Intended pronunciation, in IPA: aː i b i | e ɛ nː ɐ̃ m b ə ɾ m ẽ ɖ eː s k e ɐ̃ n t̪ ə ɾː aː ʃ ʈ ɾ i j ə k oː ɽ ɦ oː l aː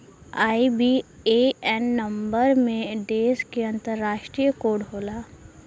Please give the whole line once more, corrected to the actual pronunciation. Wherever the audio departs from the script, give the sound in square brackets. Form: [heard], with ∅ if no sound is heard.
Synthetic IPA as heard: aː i b i | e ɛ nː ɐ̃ m b ə ɾ m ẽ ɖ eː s k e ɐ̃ n t̪ ə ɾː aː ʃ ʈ ɾ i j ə k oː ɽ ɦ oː l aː